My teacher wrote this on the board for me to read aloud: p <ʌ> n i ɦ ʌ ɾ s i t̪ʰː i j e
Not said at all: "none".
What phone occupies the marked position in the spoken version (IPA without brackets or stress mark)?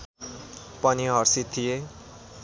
ʌ